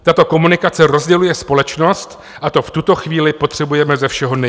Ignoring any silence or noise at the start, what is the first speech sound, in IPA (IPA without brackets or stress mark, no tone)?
t̪